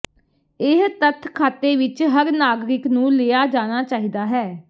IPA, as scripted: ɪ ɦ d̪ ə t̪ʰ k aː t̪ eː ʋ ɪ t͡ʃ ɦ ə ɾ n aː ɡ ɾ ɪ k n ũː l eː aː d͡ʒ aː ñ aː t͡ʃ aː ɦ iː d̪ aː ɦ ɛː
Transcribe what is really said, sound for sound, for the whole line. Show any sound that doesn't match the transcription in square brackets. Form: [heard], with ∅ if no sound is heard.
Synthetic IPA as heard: ɪ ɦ [t̪] ə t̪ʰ [kʰ] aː t̪ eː ʋ ɪ t͡ʃ ɦ ə ɾ n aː ɡ ɾ ɪ k n ũː l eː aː d͡ʒ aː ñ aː t͡ʃ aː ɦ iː d̪ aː ɦ ɛː